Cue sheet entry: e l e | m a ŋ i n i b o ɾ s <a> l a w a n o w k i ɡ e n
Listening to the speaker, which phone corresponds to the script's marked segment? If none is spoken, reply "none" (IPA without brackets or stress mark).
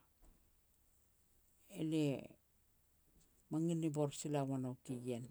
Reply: i